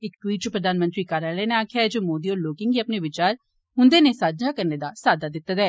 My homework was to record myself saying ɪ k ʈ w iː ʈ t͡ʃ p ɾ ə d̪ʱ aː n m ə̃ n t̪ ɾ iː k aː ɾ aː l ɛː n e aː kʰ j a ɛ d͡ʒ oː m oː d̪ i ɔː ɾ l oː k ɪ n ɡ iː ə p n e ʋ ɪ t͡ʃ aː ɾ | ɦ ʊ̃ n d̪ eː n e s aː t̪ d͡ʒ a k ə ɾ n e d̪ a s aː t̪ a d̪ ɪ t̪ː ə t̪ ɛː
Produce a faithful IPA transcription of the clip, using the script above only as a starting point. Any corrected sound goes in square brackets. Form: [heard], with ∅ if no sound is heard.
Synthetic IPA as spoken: ɪ k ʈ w iː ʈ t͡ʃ p ɾ ə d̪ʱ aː n m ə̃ n t̪ ɾ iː k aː ɾ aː l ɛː n e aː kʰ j a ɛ d͡ʒ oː m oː d̪ i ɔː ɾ l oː k ɪ [ŋ] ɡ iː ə p n e ʋ ɪ t͡ʃ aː ɾ | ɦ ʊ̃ n d̪ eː n e s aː [d̪] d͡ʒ a k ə ɾ n e d̪ a s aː [d̪] a d̪ ɪ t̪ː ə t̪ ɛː

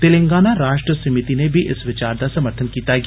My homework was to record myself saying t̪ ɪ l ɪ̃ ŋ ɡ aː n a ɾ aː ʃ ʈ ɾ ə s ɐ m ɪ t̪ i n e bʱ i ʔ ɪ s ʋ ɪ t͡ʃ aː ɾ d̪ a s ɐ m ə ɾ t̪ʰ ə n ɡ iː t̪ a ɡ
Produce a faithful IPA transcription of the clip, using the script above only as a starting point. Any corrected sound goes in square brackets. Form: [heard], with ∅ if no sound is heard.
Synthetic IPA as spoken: t̪ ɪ l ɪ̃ ŋ ɡ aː n a ɾ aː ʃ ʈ ɾ ə s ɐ m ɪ t̪ i n e bʱ i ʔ ɪ s ʋ ɪ t͡ʃ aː ɾ d̪ a s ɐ m ə ɾ t̪ʰ ə n [k] iː t̪ a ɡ

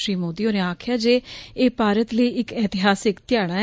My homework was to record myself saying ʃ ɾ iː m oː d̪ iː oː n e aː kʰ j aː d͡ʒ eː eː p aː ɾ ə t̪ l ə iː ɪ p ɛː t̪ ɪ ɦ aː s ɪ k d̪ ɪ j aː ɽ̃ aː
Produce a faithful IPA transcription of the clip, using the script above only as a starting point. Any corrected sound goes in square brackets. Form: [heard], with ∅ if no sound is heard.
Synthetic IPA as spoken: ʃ ɾ iː m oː d̪ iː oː n e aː kʰ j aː d͡ʒ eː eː p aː ɾ ə t̪ l ə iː ɪ [k] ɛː t̪ ɪ ɦ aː s ɪ k [t̪] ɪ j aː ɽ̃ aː

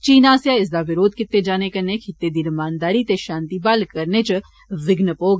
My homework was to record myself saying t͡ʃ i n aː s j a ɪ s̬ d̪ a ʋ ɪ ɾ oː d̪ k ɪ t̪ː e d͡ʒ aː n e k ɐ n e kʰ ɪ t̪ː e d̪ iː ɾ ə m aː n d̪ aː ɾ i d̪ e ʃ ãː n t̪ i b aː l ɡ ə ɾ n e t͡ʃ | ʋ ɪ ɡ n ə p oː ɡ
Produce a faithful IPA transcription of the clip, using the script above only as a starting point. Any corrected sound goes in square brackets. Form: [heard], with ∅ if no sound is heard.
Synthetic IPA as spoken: t͡ʃ [iː] n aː s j a ɪ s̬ d̪ a ʋ ɪ ɾ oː d̪ k ɪ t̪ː e d͡ʒ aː n e k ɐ n e kʰ ɪ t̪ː e d̪ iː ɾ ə m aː n d̪ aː ɾ i [t̪] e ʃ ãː n t̪ i b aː l [k] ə ɾ n e t͡ʃ | ʋ ɪ ɡ n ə p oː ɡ

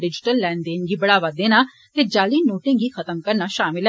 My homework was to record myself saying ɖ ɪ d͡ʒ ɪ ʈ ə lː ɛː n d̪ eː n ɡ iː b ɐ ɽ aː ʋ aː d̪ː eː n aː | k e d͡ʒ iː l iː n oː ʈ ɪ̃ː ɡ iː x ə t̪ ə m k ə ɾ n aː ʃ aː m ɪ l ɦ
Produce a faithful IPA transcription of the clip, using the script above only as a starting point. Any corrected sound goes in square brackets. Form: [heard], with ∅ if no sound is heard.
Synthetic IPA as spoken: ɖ ɪ d͡ʒ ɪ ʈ ə lː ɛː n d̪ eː n ɡ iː b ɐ ɽ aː ʋ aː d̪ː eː n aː | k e d͡ʒ [aː] l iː n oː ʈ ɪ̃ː ɡ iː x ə t̪ ə m k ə ɾ n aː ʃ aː m ɪ l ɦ

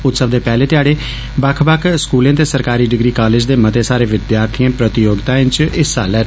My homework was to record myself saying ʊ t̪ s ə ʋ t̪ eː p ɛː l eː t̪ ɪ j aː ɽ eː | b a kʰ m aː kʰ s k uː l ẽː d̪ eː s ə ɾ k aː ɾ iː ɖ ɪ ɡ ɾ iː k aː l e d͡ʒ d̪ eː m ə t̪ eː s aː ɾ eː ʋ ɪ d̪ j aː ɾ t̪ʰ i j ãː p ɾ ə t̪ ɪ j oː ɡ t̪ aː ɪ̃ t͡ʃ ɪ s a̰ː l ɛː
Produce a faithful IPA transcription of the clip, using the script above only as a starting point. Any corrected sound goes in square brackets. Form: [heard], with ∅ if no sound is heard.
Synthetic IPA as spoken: ʊ t̪ s ə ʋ [d̪] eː p ɛː l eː t̪ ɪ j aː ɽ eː | b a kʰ [b] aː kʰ s k uː l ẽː [t̪] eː s ə ɾ k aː ɾ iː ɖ ɪ ɡ ɾ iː k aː l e d͡ʒ d̪ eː m ə t̪ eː s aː ɾ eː ʋ ɪ d̪ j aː ɾ t̪ʰ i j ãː p ɾ ə t̪ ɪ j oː ɡ t̪ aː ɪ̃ t͡ʃ ɪ s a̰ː l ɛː

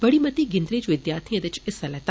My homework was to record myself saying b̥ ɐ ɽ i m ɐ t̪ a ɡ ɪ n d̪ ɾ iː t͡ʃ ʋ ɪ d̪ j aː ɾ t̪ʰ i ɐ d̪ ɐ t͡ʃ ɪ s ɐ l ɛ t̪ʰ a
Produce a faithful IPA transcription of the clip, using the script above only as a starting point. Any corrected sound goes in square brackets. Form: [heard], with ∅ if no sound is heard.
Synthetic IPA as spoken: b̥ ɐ ɽ i m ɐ t̪ [i] ɡ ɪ n d̪ ɾ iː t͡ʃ ʋ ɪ d̪ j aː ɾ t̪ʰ i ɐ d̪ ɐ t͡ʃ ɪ s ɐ l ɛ [t̪] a

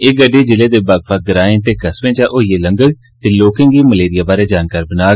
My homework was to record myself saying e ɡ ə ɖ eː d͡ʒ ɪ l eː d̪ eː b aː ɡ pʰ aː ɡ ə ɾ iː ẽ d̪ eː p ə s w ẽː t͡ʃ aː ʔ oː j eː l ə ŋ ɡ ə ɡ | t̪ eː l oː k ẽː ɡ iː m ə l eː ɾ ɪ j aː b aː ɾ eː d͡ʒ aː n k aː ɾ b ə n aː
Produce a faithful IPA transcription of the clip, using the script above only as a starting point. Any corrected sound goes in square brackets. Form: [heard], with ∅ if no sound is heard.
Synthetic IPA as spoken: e ɡ ə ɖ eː d͡ʒ ɪ l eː d̪ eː b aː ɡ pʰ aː ɡ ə ɾ [aː] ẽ [t̪] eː [k] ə s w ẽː t͡ʃ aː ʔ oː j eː l ə ŋ ɡ ə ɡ | t̪ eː l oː k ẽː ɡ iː m ə l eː ɾ ɪ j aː b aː ɾ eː d͡ʒ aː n k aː ɾ b ə n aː

